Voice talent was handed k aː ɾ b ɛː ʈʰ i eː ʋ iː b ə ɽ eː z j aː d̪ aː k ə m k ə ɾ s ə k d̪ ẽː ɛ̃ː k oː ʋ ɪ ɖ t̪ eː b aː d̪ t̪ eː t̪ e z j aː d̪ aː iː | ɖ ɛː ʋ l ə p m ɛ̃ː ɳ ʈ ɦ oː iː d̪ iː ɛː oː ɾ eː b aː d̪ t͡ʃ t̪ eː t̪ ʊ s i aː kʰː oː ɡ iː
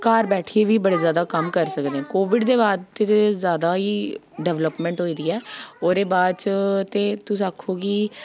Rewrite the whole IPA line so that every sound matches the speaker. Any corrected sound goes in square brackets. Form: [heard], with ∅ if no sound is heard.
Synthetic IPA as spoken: k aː ɾ b ɛː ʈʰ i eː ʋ iː b ə ɽ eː z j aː d̪ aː k ə m k ə ɾ s ə k d̪ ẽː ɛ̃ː k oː ʋ ɪ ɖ [d̪] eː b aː d̪ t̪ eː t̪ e z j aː d̪ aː iː | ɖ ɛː ʋ l ə p m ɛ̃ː ɳ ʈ ɦ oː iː d̪ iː ɛː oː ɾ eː b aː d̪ t͡ʃ t̪ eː t̪ ʊ s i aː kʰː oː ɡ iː